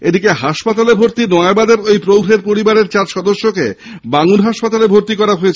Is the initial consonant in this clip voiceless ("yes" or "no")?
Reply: no